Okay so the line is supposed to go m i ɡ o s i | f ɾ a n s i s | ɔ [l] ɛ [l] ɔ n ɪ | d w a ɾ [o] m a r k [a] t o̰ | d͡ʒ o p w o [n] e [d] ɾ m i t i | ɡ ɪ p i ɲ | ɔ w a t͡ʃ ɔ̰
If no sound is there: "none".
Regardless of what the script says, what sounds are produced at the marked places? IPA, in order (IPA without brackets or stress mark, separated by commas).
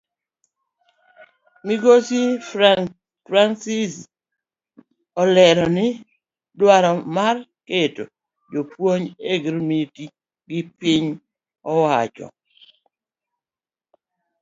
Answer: l, ɾ, ɔ, e, ɲ, ɡ